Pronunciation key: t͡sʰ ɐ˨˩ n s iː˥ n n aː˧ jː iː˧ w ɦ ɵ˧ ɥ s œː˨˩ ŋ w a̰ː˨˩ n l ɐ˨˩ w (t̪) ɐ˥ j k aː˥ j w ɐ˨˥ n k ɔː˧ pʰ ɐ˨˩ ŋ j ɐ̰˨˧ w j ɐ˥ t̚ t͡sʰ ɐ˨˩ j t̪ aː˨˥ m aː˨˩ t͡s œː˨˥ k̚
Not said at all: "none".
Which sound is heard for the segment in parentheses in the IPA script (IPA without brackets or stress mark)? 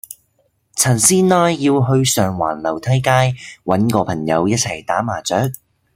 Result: t̪ʰ